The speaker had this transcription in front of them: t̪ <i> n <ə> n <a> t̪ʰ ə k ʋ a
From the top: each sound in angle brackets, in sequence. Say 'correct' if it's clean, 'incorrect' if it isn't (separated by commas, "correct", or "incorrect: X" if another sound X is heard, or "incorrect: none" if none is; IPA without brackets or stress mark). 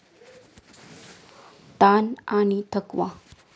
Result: incorrect: a, incorrect: a, incorrect: i